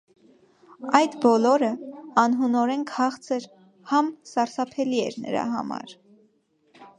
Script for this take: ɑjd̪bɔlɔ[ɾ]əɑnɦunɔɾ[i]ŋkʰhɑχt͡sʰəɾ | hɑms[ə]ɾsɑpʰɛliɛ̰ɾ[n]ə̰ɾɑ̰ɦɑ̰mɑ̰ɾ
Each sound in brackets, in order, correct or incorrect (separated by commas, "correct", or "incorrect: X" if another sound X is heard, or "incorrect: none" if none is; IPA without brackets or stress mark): correct, incorrect: ɛ, incorrect: ɑ, correct